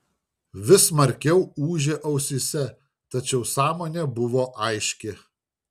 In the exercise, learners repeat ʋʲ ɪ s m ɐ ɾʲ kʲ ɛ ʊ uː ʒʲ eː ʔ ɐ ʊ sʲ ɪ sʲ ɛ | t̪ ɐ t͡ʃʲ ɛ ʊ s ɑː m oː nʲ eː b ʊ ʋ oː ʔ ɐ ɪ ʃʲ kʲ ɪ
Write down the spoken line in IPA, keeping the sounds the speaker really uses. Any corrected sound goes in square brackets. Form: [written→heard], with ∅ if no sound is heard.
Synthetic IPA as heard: ʋʲ ɪ s m ɐ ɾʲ kʲ ɛ ʊ uː ʒʲ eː ʔ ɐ ʊ sʲ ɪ sʲ ɛ | t̪ ɐ t͡ʃʲ ɛ ʊ s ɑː m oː nʲ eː b ʊ ʋ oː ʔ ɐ ɪ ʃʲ kʲ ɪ